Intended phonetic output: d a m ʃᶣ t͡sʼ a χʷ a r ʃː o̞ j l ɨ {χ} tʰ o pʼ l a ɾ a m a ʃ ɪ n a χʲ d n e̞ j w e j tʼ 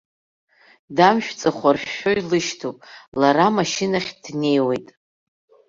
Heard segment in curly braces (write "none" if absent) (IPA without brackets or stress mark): ʃ